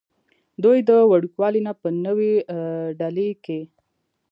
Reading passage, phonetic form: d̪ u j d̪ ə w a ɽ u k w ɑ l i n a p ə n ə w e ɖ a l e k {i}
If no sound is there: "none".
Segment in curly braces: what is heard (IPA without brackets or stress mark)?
e